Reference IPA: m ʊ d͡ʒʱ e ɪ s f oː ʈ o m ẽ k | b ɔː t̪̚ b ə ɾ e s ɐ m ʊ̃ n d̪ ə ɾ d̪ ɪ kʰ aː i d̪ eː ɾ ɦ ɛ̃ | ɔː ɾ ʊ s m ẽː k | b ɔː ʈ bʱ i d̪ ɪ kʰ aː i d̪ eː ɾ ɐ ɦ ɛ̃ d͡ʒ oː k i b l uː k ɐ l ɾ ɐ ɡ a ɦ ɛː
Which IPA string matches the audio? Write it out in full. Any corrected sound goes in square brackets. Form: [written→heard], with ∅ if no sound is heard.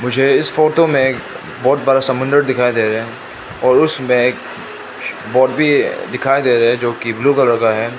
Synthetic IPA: m ʊ d͡ʒʱ e ɪ s f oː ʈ o m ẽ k | b ɔː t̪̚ b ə ɾ [e→a] s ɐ m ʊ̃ n d̪ ə ɾ d̪ ɪ kʰ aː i d̪ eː ɾ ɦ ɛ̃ | ɔː ɾ ʊ s m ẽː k | b ɔː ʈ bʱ i d̪ ɪ kʰ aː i d̪ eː ɾ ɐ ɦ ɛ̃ d͡ʒ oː k i b l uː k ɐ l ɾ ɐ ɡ a ɦ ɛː

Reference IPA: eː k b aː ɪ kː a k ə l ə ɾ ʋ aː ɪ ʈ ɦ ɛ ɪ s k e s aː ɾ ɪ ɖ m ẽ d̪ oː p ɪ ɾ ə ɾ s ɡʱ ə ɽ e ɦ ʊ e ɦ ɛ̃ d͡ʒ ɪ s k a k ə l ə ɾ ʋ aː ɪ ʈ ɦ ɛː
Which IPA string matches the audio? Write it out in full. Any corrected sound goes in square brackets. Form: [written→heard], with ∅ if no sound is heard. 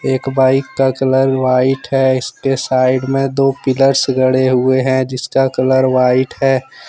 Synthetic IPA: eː k b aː ɪ kː a k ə l ə ɾ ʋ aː ɪ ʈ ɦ ɛ ɪ s k e s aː [ɾ→∅] ɪ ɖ m ẽ d̪ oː p ɪ [ɾ→l] ə ɾ s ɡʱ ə ɽ e ɦ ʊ e ɦ ɛ̃ d͡ʒ ɪ s k a k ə l ə ɾ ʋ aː ɪ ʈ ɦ ɛː

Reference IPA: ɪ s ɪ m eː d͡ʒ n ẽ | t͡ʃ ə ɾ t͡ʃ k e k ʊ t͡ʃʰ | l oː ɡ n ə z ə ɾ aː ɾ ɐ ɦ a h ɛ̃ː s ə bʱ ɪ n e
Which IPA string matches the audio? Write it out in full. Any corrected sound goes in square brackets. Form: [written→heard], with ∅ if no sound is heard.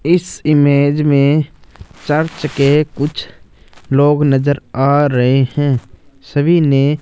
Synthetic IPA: ɪ s ɪ m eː d͡ʒ [n→m] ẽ | t͡ʃ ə ɾ t͡ʃ k e k ʊ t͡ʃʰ | l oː ɡ n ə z ə ɾ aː ɾ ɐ ɦ [a→e] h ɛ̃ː s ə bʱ [ɪ→i] n e

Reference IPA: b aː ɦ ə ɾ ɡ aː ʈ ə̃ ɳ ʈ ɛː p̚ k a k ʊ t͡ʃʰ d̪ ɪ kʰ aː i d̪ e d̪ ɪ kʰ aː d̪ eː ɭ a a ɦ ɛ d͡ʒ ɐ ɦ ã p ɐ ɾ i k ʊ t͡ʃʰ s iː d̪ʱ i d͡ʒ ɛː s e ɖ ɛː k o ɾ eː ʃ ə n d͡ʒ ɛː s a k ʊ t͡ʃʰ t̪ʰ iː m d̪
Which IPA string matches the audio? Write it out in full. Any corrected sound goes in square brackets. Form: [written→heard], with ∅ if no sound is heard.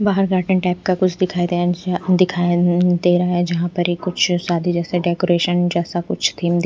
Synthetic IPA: b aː ɦ ə ɾ ɡ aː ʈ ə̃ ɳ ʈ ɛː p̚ k a k ʊ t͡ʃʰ d̪ ɪ kʰ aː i d̪ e d̪ ɪ kʰ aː d̪ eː [ɭ→ɾ] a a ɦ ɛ d͡ʒ ɐ ɦ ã p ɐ ɾ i k ʊ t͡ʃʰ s [iː→aː] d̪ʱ i d͡ʒ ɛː s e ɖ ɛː k o ɾ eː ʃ ə n d͡ʒ ɛː s a k ʊ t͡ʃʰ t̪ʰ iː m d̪

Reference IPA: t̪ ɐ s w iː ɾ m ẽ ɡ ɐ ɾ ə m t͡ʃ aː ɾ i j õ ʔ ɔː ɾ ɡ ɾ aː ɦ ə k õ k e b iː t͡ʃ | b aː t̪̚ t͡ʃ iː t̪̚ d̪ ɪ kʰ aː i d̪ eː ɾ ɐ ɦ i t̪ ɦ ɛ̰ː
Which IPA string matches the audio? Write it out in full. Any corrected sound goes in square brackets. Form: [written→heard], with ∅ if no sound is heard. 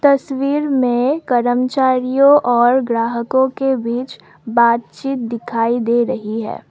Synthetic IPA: t̪ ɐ s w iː ɾ m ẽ [ɡ→k] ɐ ɾ ə m t͡ʃ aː ɾ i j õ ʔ ɔː ɾ ɡ ɾ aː ɦ ə k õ k e b iː t͡ʃ | b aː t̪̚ t͡ʃ iː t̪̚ d̪ ɪ kʰ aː i d̪ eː ɾ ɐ ɦ i [t̪→∅] ɦ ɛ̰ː

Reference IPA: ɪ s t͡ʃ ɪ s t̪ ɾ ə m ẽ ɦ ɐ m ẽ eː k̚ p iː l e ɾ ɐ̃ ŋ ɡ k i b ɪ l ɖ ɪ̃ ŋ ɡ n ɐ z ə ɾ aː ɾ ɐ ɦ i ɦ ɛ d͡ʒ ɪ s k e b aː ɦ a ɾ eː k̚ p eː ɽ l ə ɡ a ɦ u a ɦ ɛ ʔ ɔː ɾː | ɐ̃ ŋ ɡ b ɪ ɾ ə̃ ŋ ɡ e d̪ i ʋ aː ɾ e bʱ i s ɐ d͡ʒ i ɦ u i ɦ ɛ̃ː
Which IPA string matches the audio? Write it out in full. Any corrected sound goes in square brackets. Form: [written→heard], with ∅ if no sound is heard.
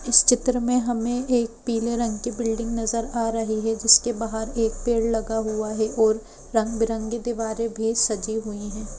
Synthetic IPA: ɪ s t͡ʃ ɪ [s→∅] t̪ ɾ ə m ẽ ɦ ɐ m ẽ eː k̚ p iː l e ɾ ɐ̃ ŋ ɡ k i b ɪ l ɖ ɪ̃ ŋ ɡ n ɐ z ə ɾ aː ɾ ɐ ɦ i ɦ ɛ d͡ʒ ɪ s k e b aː ɦ [a→ə] ɾ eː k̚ p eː ɽ l [ə→ɐ] ɡ a ɦ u a ɦ ɛ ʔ ɔː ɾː | ɐ̃ ŋ ɡ b ɪ ɾ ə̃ ŋ ɡ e d̪ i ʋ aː ɾ e bʱ i s ɐ d͡ʒ i ɦ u i ɦ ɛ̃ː

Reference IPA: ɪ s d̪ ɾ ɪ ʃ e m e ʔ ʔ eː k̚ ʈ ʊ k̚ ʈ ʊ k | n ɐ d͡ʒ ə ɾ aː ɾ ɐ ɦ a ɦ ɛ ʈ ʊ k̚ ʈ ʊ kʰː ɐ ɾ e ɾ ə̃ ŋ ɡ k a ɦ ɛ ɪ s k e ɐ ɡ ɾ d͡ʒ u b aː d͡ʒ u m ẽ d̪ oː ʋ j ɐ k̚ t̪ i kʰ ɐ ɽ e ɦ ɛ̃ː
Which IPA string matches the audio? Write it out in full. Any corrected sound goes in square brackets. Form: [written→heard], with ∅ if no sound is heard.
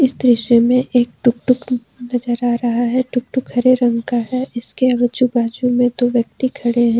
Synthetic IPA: ɪ s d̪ ɾ ɪ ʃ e m [e→ẽ] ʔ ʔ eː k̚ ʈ ʊ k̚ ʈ ʊ k | n ɐ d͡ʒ ə ɾ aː ɾ ɐ ɦ a ɦ ɛ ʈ ʊ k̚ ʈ ʊ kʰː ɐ ɾ e ɾ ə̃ ŋ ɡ k a ɦ ɛ ɪ s k e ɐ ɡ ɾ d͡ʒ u b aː d͡ʒ u m ẽ d̪ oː ʋ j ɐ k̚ t̪ i kʰ ɐ ɽ e ɦ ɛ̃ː

